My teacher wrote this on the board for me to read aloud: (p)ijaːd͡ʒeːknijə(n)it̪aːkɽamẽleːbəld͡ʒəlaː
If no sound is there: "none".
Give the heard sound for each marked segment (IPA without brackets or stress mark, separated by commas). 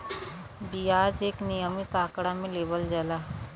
b, m